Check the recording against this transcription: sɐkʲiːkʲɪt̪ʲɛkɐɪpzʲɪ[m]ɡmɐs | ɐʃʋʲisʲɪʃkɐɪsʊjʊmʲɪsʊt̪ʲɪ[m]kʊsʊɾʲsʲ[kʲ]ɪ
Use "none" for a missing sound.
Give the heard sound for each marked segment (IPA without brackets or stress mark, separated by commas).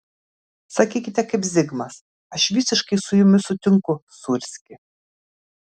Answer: none, ŋ, kʲ